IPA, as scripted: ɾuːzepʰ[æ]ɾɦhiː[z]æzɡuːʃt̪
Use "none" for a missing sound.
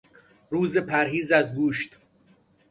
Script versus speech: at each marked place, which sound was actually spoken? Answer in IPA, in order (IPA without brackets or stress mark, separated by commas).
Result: æ, z